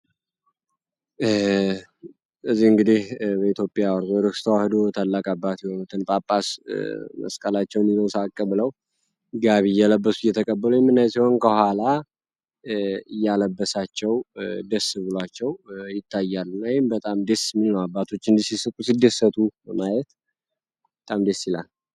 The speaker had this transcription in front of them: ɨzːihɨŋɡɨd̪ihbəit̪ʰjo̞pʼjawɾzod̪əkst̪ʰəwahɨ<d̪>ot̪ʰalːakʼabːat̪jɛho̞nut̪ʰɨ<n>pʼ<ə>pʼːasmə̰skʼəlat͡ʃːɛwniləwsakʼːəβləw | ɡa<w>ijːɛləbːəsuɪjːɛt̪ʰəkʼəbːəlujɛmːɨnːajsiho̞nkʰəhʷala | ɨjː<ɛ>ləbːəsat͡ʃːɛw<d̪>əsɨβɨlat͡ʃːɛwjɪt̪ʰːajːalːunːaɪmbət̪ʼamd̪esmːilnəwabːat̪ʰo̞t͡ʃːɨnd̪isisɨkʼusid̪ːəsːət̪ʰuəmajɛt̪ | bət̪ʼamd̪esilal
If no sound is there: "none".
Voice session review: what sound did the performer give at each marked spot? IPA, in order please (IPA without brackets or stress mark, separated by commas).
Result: d̪, n, a, β, a, d̪